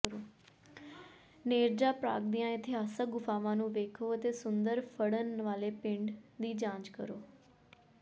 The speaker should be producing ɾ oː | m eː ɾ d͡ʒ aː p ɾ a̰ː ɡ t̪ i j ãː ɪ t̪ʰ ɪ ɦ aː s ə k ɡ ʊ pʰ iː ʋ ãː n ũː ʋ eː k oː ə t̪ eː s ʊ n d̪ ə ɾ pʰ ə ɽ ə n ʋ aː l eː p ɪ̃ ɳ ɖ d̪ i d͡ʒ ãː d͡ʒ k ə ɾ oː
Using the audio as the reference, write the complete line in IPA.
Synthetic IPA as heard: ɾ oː | n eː ɾ d͡ʒ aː p ɾ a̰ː ɡ d̪ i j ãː ɪ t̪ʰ ɪ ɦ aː s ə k ɡ ʊ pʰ aː ʋ ãː n ũː ʋ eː kʰ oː ə t̪ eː s ʊ n d̪ ə ɾ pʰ ə ɽ ə n ʋ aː l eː p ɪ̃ ɳ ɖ d̪ iː d͡ʒ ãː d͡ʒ k ə ɾ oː